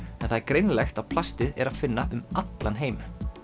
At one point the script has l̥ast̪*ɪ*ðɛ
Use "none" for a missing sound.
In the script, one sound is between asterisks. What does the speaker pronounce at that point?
ɪ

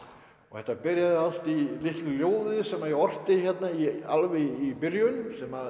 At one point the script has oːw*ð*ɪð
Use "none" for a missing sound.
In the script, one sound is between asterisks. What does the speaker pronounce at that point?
ð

